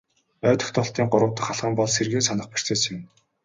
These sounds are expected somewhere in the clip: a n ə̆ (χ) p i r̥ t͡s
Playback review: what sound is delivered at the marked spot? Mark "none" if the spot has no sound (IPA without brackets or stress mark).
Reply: χ